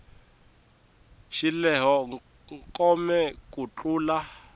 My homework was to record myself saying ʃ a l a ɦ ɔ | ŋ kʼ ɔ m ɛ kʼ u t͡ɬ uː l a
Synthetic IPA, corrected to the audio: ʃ i l ɛ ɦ ɔ | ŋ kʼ ɔ m ɛ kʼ u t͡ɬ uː l a

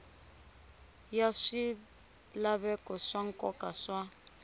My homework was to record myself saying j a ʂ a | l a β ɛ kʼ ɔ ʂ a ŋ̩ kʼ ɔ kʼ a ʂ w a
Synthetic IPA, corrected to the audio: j a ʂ i | l a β ɛ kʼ ɔ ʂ a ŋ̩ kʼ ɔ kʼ a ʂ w a

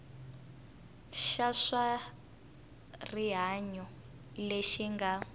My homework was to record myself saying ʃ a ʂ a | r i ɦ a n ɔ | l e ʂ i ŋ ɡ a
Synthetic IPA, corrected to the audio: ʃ a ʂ a | r i ɦ a ɲ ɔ | l e ʃ i ŋ ɡ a

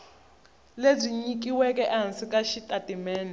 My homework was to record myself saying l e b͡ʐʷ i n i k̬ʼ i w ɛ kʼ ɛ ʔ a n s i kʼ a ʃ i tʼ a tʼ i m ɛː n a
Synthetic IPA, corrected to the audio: l e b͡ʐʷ i ɲ i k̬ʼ i w ɛ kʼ ɛ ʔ a n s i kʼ a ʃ i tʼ a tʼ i m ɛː n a

